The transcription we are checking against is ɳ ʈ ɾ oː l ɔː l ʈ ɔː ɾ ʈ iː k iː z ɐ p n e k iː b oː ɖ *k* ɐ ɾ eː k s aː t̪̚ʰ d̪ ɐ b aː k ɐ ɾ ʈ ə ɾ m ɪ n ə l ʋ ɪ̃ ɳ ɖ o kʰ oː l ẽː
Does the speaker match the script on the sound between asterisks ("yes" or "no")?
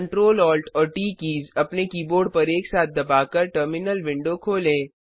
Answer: no